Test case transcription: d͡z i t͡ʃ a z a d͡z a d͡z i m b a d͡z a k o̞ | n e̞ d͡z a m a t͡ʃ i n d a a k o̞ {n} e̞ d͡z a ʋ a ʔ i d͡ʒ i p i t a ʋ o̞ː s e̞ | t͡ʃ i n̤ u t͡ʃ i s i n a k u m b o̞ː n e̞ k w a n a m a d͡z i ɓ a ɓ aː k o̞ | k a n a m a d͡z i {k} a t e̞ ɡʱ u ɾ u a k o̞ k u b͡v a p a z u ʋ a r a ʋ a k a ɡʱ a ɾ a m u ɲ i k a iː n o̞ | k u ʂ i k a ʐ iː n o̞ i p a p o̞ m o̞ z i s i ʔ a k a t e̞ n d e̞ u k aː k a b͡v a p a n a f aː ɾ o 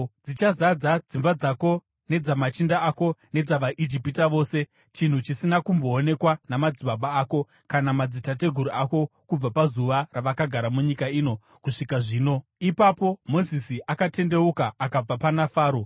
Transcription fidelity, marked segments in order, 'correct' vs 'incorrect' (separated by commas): correct, incorrect